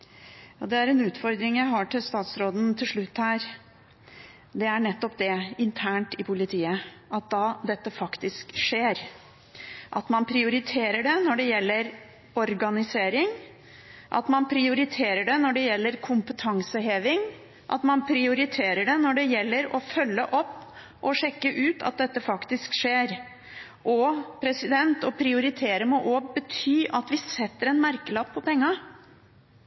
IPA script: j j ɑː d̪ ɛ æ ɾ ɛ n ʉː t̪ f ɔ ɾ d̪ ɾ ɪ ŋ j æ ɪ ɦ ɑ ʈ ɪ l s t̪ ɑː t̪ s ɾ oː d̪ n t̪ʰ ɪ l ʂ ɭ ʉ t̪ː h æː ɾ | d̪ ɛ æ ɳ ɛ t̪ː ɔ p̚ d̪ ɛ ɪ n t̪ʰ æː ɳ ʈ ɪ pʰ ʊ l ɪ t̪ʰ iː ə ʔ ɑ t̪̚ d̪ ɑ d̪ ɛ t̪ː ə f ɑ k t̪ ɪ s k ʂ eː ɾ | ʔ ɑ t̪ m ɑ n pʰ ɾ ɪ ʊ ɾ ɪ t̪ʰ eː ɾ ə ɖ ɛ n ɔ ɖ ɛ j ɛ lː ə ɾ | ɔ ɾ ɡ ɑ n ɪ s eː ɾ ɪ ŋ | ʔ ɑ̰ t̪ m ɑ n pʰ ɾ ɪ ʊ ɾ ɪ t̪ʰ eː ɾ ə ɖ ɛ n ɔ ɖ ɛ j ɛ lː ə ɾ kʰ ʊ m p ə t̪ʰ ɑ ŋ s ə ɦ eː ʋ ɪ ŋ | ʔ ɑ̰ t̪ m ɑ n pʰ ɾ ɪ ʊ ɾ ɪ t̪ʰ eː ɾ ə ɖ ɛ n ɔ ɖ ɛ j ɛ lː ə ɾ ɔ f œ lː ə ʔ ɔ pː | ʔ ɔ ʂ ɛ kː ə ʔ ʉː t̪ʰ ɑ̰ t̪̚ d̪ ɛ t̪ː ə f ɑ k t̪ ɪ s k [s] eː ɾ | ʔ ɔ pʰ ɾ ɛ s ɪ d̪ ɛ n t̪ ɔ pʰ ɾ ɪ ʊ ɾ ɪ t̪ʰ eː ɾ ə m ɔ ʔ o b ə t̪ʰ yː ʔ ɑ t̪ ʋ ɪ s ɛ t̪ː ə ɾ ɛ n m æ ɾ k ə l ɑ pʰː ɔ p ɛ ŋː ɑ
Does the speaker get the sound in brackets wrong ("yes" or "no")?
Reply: yes